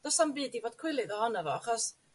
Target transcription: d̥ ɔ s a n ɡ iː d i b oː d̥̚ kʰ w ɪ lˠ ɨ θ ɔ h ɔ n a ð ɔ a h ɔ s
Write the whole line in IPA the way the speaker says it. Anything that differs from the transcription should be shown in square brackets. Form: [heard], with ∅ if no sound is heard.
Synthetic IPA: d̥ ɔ s a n [b] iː d i [v] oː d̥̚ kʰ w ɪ lˠ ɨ [ð] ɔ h ɔ n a [v] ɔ a [χ] ɔ s